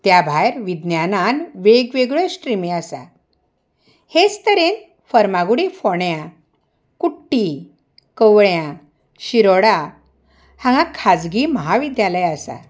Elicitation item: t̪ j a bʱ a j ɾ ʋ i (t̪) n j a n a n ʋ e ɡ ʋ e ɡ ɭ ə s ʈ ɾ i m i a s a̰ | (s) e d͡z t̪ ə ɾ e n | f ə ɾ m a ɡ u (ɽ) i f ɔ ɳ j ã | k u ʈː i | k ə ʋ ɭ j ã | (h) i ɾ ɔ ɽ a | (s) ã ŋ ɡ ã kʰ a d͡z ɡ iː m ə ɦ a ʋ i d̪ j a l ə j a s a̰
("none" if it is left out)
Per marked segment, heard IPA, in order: d̪, h, ɽ, ɕ, h

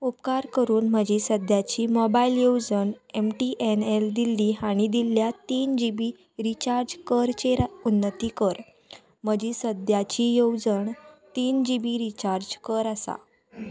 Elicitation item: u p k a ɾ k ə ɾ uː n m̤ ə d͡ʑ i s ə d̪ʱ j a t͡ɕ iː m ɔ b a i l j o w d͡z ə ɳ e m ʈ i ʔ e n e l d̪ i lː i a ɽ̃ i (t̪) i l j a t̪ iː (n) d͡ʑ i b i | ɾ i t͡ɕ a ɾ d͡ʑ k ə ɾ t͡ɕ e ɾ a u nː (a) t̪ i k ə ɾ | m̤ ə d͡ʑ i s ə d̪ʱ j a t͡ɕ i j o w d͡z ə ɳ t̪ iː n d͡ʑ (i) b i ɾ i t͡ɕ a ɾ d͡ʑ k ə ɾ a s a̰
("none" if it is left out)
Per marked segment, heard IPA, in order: d̪, n, ə, i

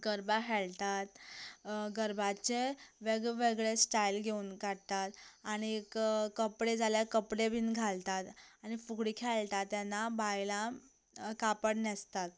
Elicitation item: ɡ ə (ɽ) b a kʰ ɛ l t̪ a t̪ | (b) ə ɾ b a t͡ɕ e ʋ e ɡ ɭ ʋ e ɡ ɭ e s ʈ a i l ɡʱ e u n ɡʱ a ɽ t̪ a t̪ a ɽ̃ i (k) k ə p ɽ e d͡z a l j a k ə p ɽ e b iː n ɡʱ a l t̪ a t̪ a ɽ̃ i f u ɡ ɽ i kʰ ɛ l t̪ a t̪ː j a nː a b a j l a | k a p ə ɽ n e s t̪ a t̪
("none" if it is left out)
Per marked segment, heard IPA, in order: ɾ, ɡ, k

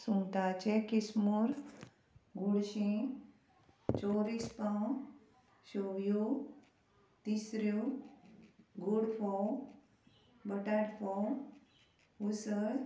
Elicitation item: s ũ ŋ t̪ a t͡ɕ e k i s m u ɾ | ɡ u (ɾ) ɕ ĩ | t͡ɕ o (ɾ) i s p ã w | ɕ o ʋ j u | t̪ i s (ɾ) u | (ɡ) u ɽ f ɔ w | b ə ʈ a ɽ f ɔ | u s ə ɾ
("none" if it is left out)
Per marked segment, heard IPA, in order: ɽ, ɾ, ɾ, ɡ

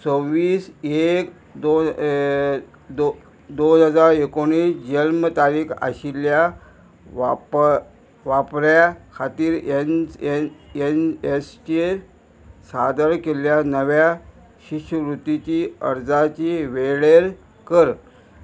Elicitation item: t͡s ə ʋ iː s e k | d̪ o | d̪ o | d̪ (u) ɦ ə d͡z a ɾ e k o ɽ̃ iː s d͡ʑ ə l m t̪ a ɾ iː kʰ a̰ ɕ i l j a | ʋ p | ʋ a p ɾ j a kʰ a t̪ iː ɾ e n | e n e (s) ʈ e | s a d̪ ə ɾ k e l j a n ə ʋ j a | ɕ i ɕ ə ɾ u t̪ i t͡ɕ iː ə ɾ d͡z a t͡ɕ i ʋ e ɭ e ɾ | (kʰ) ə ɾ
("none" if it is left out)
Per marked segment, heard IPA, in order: o, s, k

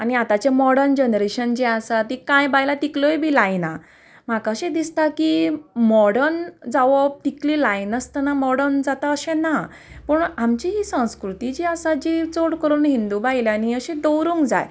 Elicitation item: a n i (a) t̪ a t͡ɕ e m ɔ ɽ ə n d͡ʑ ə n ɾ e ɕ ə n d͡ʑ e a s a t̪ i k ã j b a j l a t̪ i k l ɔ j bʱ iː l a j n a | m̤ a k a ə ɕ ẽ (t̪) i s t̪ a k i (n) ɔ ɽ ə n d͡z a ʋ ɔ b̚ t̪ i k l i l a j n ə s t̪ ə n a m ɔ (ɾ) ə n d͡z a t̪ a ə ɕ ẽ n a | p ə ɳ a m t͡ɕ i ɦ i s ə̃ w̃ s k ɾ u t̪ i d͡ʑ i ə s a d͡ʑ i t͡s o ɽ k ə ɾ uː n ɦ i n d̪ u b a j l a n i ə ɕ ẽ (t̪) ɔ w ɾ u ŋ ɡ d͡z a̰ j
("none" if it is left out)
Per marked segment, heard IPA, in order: a, d̪, m, ɽ, d̪

